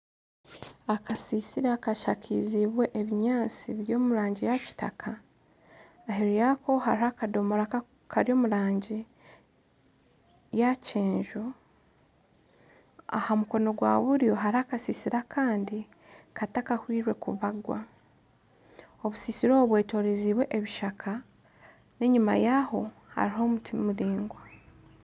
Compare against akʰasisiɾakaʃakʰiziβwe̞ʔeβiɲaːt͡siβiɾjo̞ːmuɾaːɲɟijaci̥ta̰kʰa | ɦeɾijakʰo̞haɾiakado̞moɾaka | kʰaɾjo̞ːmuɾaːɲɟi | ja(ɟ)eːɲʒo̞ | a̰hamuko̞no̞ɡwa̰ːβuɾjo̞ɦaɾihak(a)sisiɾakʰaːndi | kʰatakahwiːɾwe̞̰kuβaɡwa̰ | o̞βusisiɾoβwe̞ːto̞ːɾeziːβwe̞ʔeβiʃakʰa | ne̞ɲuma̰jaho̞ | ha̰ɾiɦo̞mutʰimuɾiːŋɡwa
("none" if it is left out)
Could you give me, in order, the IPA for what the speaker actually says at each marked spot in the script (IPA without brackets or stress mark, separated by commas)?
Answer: c, a